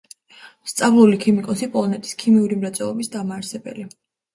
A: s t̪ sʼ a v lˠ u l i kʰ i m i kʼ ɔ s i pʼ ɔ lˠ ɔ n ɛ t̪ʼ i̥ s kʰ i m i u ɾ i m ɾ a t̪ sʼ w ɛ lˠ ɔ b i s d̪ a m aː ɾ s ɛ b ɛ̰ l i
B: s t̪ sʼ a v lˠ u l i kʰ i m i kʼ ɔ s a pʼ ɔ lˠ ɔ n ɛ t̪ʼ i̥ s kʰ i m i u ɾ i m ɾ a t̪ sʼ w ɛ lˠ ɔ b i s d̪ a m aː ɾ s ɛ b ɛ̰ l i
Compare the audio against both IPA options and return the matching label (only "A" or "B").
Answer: A